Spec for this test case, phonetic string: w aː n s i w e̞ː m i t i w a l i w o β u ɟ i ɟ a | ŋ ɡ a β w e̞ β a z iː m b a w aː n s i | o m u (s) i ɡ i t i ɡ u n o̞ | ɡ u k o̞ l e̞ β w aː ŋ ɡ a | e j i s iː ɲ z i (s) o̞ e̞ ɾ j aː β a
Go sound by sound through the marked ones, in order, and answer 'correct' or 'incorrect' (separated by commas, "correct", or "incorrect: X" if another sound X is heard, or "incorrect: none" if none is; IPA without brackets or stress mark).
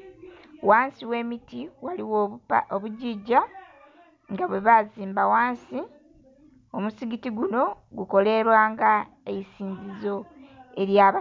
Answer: correct, incorrect: z